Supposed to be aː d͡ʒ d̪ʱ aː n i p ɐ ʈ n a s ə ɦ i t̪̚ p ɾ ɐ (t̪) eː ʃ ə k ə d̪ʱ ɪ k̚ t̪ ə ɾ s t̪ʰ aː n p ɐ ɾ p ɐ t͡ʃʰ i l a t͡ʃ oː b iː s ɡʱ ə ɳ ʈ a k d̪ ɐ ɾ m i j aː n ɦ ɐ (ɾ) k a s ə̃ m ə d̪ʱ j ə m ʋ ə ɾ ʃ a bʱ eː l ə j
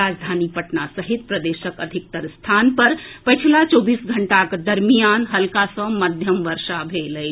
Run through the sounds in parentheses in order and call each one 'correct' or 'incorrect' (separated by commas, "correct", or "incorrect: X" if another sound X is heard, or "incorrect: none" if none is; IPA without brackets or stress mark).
incorrect: d̪, incorrect: l